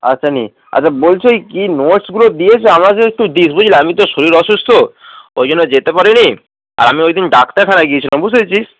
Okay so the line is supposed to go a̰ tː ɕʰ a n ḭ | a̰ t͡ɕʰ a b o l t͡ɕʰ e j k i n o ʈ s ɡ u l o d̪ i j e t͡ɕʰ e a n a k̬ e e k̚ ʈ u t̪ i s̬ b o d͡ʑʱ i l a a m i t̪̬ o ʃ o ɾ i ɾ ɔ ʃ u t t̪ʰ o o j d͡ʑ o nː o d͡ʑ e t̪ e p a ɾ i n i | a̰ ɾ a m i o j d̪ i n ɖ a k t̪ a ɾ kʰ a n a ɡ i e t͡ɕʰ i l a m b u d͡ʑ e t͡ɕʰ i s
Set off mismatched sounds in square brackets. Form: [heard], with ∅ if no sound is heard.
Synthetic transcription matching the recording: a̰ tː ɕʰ a n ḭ | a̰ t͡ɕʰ a b o l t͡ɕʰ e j k i n o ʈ s ɡ u l o d̪ i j e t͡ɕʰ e a [m] a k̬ e e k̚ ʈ u [d̪] i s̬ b o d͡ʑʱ i l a a m i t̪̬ o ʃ o ɾ i ɾ ɔ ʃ u [s] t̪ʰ o o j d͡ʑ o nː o d͡ʑ e t̪ e p a ɾ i n i | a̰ ɾ a m i o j d̪ i n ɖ a k t̪ a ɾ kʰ a n a ɡ i e t͡ɕʰ i l a m b u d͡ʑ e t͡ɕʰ i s

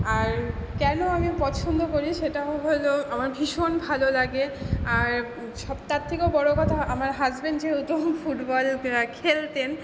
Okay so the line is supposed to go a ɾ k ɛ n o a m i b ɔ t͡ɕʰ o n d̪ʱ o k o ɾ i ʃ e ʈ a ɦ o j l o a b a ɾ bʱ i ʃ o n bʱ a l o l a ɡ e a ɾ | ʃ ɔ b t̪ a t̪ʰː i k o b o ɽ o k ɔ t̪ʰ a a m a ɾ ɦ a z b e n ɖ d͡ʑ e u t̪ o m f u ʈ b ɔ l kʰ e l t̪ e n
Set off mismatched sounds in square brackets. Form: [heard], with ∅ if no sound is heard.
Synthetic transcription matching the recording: a ɾ k ɛ n o a m i [p] ɔ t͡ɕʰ o n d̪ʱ o k o ɾ i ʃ e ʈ a ɦ o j l o a [m] a ɾ bʱ i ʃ o n bʱ a l o l a ɡ e a ɾ | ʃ ɔ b t̪ a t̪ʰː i k o b [ɔ] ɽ o k ɔ t̪ʰ a a m a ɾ ɦ a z b e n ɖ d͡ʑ e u t̪ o m f u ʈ b ɔ l kʰ e l t̪ e n

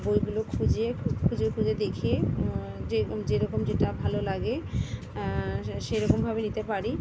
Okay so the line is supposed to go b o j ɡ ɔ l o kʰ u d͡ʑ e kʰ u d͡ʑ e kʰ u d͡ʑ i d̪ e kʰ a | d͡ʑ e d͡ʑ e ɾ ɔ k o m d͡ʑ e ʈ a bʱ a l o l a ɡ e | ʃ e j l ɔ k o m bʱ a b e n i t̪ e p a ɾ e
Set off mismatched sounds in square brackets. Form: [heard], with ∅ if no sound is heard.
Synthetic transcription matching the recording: b o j ɡ [u] l o kʰ u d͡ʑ e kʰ u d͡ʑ e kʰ u d͡ʑ [e] d̪ e kʰ [e] | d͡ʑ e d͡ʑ e ɾ ɔ k o m d͡ʑ e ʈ a bʱ a l o l a ɡ e | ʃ e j [ɾ] ɔ k o m bʱ a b e n i t̪ e p a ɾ [i]

